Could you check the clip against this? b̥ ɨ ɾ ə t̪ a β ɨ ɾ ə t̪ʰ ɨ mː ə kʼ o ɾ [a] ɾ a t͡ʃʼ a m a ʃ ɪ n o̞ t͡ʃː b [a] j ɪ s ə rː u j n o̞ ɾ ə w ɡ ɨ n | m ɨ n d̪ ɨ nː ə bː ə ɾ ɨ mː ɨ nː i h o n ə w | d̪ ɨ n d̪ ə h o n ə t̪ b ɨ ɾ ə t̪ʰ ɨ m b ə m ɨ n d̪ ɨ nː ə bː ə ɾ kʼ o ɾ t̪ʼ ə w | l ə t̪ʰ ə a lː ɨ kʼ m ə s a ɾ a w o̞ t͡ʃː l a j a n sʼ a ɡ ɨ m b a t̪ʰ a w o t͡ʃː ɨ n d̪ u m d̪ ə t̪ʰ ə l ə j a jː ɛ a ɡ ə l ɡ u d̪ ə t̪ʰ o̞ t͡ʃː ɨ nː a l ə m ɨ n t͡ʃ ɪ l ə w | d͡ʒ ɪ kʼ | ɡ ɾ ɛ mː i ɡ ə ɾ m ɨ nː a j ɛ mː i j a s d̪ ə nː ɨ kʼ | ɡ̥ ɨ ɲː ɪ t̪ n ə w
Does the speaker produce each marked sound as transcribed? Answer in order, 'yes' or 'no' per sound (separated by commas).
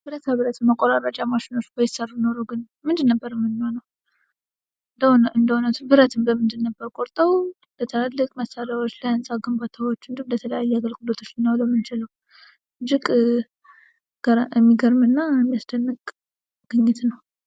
yes, no